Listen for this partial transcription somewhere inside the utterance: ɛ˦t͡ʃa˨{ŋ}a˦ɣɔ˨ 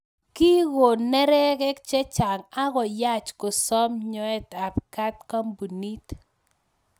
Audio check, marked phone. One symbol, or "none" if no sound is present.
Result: ŋ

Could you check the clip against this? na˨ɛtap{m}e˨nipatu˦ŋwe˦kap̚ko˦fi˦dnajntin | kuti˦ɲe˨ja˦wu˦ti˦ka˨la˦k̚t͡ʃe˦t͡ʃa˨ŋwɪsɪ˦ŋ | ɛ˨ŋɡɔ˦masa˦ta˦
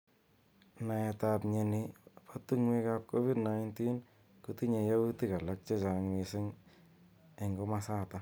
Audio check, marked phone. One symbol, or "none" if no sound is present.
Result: ɲ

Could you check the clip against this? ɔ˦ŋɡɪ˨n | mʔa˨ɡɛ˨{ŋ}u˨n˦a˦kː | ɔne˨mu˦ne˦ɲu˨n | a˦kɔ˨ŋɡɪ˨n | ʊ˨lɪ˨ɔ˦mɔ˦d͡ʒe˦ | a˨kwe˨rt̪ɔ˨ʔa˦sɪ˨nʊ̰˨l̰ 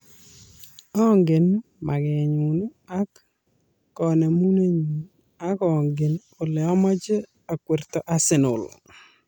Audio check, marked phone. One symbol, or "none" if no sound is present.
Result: ɲ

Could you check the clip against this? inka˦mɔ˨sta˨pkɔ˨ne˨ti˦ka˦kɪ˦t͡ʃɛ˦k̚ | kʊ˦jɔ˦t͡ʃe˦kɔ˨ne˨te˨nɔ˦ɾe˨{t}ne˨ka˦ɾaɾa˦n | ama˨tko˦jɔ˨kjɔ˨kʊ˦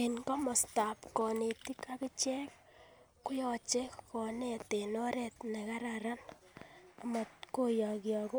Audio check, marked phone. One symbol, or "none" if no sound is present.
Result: t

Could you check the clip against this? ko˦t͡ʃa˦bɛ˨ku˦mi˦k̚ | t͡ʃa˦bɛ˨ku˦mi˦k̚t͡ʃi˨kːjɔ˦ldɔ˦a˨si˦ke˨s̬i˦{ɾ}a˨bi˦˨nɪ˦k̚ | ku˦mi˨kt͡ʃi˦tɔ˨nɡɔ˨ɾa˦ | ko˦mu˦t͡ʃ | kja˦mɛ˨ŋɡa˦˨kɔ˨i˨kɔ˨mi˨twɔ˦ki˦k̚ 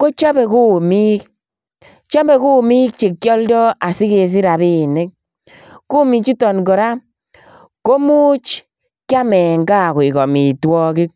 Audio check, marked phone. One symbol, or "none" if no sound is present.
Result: ɾ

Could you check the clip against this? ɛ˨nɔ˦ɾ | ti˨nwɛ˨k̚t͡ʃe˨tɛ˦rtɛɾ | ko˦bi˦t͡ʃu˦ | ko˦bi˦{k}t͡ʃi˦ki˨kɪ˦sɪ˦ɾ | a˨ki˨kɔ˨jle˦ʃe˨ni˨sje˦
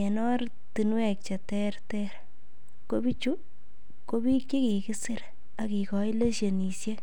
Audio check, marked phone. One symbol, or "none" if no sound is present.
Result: k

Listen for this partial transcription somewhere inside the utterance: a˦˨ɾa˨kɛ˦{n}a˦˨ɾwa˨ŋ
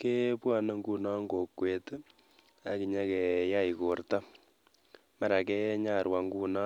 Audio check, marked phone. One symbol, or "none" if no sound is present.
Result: ɲ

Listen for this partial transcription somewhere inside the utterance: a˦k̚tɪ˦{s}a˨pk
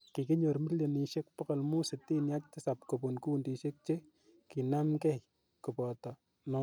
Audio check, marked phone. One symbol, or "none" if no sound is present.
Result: s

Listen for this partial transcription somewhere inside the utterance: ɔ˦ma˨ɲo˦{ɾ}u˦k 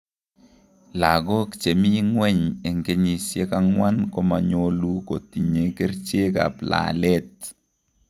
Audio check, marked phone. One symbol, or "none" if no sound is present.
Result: l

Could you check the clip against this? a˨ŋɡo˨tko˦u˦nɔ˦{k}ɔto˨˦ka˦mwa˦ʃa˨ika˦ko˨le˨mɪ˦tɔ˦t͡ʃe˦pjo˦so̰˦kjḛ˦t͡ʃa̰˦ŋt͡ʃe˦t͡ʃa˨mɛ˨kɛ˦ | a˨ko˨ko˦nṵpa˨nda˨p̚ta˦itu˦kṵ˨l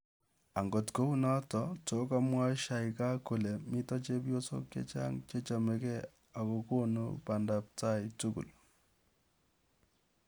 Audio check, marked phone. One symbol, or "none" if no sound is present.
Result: t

